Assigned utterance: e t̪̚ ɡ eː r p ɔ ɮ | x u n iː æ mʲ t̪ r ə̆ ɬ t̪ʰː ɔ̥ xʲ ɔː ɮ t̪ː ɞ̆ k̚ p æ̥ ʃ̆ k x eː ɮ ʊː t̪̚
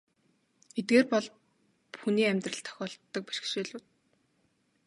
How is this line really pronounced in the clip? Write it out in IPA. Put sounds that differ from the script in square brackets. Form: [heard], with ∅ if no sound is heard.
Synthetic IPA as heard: e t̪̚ ɡ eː r p ɔ ɮ | x u n iː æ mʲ t̪ r ə̆ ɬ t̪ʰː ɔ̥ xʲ ɔː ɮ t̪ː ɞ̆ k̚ p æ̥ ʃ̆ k [ʃ] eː ɮ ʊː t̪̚